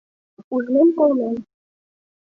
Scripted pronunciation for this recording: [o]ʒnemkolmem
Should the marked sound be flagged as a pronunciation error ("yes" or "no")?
yes